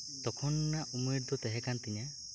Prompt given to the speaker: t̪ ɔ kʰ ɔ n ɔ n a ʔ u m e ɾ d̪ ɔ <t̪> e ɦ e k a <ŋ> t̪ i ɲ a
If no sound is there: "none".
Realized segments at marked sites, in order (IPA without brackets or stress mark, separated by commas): t̪, n